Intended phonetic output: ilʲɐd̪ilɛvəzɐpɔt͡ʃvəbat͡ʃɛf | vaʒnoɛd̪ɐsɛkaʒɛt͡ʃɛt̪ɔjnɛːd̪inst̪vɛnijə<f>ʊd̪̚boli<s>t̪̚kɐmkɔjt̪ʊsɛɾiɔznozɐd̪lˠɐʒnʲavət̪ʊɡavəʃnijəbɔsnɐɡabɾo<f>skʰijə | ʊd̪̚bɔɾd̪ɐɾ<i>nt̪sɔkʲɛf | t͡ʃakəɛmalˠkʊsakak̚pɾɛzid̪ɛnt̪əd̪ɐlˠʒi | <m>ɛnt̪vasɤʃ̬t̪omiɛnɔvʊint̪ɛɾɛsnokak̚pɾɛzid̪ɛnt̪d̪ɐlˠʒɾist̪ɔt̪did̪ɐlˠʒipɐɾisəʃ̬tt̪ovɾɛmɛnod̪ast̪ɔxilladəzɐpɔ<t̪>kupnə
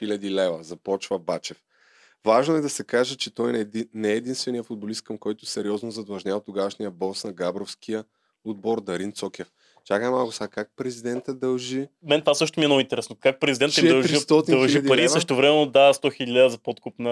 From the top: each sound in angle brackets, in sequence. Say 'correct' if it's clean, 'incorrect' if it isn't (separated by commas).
correct, correct, correct, correct, correct, correct